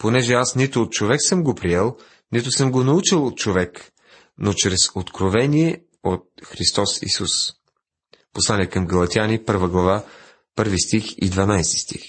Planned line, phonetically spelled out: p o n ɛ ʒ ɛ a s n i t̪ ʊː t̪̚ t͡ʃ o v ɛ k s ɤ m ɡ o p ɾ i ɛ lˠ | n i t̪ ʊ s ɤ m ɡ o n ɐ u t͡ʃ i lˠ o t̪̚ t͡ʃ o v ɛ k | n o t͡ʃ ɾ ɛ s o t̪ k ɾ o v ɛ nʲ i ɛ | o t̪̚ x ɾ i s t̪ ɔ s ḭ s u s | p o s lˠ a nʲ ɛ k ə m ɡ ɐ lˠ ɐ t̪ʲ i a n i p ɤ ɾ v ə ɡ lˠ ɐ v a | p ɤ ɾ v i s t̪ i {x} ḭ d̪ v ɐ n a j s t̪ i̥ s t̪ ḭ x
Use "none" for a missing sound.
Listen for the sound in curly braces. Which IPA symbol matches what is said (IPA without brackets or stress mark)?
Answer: x